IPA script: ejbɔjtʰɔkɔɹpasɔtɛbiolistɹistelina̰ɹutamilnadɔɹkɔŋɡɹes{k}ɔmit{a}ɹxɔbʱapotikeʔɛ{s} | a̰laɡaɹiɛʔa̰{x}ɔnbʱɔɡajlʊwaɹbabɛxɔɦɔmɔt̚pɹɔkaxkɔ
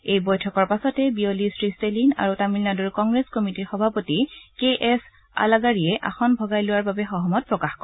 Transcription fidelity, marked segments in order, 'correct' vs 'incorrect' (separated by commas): correct, incorrect, correct, correct